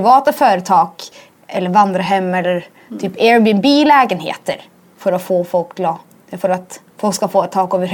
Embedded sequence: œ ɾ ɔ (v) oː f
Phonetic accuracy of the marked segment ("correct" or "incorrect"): incorrect